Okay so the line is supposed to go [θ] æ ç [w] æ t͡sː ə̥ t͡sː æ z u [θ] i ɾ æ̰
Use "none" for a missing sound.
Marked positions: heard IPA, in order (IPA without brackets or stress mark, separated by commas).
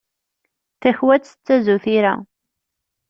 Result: θ, w, θ